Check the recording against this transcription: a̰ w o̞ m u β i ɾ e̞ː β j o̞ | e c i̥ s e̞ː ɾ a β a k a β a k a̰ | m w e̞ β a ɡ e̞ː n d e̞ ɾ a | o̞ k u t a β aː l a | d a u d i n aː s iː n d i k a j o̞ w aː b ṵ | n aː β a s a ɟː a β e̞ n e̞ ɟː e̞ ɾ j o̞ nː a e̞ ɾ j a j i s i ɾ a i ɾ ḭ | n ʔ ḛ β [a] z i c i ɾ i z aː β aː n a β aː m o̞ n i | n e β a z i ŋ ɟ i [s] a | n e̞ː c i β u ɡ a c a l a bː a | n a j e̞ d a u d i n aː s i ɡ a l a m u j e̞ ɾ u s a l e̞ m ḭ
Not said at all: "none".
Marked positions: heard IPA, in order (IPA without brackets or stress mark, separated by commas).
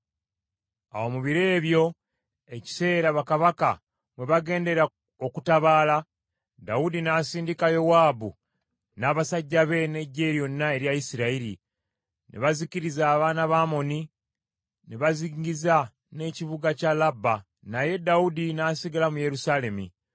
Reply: a, z